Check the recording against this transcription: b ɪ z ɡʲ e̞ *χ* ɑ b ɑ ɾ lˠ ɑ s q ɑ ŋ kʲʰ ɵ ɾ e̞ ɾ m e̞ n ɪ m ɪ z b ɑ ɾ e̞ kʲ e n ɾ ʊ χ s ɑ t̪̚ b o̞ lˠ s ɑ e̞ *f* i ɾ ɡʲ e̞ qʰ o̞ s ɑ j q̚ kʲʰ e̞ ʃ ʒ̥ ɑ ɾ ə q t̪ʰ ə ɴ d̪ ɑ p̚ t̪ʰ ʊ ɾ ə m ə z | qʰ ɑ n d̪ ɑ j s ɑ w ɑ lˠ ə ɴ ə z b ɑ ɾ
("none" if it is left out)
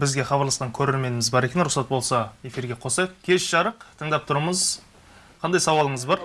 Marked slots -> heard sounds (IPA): χ, f

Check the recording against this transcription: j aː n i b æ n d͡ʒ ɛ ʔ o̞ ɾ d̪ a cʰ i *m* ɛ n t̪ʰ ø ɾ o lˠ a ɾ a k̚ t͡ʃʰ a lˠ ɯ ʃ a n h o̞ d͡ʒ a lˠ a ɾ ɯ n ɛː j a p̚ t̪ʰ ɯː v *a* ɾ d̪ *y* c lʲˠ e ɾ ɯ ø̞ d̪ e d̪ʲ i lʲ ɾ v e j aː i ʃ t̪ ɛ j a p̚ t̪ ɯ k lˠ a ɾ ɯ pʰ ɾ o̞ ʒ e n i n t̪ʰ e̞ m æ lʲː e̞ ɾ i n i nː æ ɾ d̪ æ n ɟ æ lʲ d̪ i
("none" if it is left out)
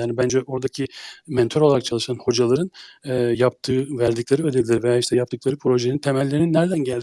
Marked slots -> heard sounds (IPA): m, æ, i

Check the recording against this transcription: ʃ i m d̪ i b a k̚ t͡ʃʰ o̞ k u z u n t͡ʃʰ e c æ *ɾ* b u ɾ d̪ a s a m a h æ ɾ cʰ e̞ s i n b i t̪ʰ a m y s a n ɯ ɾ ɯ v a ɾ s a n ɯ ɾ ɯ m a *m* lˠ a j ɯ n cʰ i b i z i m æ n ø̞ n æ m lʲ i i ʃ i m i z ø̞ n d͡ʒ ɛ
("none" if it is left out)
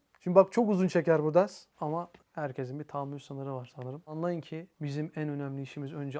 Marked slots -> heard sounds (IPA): ɾ, n

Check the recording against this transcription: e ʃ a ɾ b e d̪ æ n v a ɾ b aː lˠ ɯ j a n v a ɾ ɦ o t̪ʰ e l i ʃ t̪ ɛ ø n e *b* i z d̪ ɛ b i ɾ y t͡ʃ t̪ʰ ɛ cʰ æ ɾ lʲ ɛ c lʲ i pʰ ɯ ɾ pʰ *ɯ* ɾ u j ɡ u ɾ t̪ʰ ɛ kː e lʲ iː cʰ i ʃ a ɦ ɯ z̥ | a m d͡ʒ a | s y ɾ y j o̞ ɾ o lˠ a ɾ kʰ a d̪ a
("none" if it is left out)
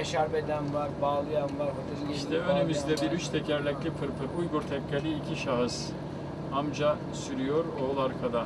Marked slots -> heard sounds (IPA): m, ɯ

